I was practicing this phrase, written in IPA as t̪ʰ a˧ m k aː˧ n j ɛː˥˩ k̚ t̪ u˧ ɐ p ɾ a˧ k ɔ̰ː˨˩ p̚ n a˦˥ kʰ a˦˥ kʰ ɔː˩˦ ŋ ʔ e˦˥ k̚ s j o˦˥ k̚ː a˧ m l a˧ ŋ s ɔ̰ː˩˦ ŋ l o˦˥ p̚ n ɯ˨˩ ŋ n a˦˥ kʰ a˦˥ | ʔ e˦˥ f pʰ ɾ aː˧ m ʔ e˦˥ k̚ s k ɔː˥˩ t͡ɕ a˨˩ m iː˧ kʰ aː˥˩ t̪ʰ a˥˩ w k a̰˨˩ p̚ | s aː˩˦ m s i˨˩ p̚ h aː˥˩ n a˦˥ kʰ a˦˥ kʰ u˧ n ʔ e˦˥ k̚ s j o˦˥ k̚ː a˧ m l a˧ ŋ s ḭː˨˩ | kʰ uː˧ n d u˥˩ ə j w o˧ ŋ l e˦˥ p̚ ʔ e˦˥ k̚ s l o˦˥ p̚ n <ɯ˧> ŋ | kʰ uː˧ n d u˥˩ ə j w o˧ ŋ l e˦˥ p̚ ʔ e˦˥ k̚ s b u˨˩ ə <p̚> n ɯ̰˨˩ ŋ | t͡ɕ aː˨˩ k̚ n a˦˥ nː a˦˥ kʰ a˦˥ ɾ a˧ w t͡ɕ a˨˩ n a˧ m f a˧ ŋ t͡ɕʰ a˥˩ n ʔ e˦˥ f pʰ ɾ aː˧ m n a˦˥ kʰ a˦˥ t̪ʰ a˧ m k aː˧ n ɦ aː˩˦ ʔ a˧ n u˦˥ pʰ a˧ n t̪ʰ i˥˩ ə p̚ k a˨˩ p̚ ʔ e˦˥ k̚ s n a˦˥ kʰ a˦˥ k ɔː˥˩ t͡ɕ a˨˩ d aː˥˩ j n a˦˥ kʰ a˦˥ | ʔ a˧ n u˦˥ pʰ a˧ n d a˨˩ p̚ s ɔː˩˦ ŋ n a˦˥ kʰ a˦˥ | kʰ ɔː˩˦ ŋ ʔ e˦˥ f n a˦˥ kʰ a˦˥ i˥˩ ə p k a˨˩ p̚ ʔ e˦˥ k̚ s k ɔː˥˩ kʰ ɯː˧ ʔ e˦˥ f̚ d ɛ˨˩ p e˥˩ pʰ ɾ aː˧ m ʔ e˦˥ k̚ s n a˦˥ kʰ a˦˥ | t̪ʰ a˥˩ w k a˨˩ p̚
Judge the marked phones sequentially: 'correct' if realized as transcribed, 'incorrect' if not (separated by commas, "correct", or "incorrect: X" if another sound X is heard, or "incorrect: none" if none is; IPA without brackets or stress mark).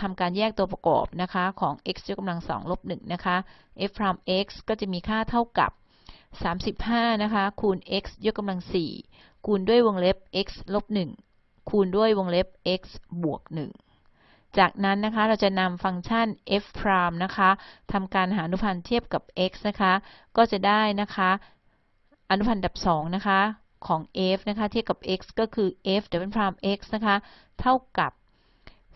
incorrect: ɯ˨˩, incorrect: k̚